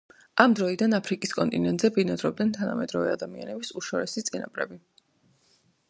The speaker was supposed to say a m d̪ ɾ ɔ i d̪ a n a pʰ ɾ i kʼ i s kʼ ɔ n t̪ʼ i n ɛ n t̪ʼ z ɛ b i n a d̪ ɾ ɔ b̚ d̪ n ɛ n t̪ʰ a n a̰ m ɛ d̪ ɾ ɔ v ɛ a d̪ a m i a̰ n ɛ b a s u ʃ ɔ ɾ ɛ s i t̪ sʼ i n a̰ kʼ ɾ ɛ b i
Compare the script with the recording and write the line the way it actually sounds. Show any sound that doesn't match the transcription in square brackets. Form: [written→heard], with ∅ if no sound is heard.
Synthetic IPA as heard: a m d̪ ɾ ɔ i d̪ a n a pʰ ɾ i kʼ i s kʼ ɔ n t̪ʼ i n ɛ n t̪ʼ z ɛ b i n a d̪ ɾ ɔ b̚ d̪ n ɛ n t̪ʰ a n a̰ m ɛ d̪ ɾ ɔ v ɛ a d̪ a m i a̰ n ɛ b [a→i] s u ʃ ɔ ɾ ɛ s i t̪ sʼ i n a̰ [kʼ→pʼ] ɾ ɛ b i